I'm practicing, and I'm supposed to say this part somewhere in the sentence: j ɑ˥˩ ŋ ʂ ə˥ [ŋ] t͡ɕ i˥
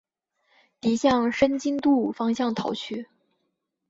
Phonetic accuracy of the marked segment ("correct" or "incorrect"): incorrect